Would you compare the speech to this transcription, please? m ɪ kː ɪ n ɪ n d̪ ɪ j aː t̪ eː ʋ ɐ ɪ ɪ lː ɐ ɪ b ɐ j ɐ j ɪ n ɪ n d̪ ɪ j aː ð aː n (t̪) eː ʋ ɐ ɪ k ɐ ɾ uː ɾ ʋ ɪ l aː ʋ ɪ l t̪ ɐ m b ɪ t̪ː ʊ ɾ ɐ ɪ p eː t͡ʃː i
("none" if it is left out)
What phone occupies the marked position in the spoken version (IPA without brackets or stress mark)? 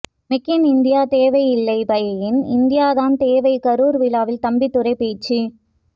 t̪